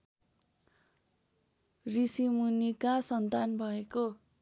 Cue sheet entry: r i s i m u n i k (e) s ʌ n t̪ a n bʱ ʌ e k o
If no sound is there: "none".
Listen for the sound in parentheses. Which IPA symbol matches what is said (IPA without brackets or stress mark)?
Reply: a